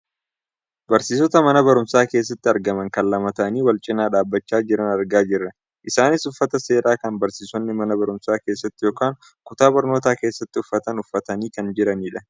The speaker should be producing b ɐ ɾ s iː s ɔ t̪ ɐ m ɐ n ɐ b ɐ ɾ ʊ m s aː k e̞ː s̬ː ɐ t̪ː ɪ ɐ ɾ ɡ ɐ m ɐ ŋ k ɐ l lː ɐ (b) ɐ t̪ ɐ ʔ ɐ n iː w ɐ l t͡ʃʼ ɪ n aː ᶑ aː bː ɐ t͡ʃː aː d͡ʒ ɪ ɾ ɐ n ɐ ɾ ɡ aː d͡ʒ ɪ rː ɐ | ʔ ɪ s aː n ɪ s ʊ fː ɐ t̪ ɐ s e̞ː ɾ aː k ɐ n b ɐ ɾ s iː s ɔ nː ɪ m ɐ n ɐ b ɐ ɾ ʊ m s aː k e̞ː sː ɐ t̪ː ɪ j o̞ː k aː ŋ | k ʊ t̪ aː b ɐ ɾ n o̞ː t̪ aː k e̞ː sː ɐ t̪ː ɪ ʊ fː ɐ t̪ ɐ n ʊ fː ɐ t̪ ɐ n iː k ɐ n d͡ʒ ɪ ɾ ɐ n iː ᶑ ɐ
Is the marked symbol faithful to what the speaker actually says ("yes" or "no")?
no